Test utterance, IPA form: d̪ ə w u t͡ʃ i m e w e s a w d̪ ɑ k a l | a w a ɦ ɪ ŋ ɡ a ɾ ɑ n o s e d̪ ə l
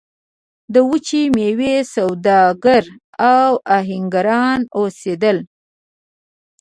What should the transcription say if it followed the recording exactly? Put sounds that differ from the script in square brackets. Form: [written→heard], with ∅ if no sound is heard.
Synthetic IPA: d̪ ə w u t͡ʃ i m e w e s a w d̪ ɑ [k→ɡ] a [l→ɾ] | a w a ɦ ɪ ŋ ɡ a ɾ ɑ n o s e d̪ ə l

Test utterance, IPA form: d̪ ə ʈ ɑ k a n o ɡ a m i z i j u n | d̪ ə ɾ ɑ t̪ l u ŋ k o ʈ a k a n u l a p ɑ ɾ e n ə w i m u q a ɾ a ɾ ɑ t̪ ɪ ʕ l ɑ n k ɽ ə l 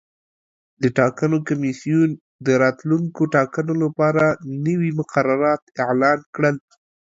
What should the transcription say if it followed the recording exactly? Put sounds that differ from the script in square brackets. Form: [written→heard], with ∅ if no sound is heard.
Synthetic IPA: d̪ ə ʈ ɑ k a n o [ɡ→k] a m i [z→s] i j u n | d̪ ə ɾ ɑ t̪ l u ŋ k o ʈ [a→ɑ] k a n [u→o] l a p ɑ ɾ [e→a] n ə w i m [u→ʊ] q a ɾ a ɾ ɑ t̪ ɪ ʕ l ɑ n k ɽ ə l

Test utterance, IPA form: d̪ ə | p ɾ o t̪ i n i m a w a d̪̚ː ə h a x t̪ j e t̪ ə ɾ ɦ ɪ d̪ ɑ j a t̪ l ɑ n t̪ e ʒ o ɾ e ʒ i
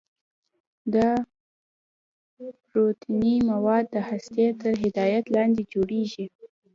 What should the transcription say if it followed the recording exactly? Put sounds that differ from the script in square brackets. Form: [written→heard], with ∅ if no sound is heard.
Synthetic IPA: d̪ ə | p ɾ o t̪ i n i m a w [a→ɑ] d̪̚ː ə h a [x→s] t̪ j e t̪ ə ɾ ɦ ɪ d̪ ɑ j a t̪ l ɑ n [t̪→d̪] e [ʒ→d͡ʒ] o [ɾ→ɽ] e ʒ i

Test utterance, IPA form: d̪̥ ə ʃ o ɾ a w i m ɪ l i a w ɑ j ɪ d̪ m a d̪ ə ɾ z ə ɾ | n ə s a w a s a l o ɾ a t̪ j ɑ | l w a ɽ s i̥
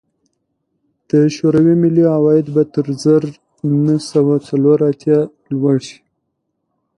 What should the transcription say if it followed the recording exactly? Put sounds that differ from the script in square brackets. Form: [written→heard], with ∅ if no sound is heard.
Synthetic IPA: d̪̥ ə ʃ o ɾ a w i m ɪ l i a w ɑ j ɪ d̪ [m→b] a [d̪→t̪] ə ɾ z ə ɾ | n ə s a w a [s→t͡s] a l o ɾ a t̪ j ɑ | l w a ɽ [s→ʃ] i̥

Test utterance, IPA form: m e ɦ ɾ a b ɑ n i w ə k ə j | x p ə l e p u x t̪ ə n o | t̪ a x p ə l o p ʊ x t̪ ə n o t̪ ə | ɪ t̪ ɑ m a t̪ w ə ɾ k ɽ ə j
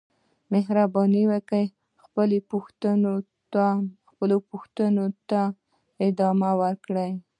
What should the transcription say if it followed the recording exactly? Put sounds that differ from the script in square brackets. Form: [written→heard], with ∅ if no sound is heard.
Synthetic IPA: m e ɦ ɾ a b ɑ n i w ə k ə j | x p ə l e p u x t̪ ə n o | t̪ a x p ə l o p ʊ x t̪ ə n o t̪ [ə→a] | ɪ [t̪→d̪] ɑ m a [t̪→∅] w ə ɾ k ɽ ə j

